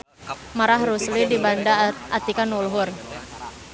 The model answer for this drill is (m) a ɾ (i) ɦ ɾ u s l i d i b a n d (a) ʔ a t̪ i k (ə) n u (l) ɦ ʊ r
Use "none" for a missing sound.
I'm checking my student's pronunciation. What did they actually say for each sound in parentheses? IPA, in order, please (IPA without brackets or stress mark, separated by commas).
m, a, a, a, l